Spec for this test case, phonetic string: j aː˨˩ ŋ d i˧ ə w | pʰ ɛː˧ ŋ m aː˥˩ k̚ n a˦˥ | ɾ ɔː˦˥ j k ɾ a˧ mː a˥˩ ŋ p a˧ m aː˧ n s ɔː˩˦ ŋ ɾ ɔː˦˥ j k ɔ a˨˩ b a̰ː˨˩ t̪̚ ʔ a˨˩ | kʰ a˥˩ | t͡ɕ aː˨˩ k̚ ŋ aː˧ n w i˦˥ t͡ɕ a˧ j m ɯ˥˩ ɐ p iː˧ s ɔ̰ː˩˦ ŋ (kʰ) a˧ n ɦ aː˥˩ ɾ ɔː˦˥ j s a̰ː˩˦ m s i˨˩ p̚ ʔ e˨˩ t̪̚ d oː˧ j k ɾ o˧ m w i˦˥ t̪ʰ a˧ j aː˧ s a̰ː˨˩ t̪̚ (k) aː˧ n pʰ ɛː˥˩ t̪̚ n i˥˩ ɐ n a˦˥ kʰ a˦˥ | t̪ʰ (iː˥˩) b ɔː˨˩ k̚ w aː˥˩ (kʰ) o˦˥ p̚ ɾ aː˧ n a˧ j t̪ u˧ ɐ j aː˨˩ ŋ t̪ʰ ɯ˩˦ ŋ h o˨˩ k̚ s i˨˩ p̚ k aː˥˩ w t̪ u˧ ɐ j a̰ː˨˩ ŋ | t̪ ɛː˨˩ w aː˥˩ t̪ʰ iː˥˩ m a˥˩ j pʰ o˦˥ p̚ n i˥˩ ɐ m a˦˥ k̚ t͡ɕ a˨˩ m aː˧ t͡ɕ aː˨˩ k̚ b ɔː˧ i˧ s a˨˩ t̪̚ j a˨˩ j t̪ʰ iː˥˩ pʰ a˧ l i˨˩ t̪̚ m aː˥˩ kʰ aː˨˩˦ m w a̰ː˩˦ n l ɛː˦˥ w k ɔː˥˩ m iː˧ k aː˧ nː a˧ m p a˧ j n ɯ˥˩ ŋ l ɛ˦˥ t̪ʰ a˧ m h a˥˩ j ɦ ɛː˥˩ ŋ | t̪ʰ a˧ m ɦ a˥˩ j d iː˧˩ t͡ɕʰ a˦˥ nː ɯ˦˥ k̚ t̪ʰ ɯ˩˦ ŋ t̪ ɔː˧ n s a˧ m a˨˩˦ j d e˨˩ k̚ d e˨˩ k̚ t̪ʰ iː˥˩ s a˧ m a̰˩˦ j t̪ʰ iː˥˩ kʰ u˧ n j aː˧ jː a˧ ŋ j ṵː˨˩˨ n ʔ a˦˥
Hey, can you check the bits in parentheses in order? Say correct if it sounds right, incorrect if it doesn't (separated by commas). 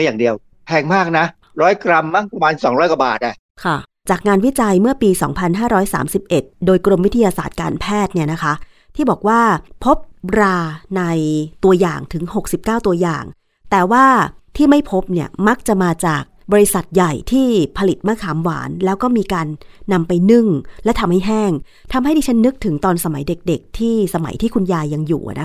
incorrect, correct, correct, incorrect